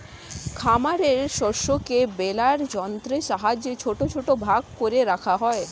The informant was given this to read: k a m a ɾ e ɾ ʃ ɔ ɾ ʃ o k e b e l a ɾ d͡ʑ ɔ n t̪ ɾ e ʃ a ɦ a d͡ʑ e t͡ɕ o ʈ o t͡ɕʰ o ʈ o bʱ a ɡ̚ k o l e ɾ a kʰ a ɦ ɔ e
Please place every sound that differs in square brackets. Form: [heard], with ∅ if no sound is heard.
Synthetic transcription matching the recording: [kʰ] a m a ɾ e ɾ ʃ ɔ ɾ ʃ o k e b e l a ɾ d͡ʑ ɔ n t̪ ɾ e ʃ a ɦ a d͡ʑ e [t͡ɕʰ] o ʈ o t͡ɕʰ o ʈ o bʱ a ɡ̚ k o [ɾ] e ɾ a kʰ a ɦ ɔ e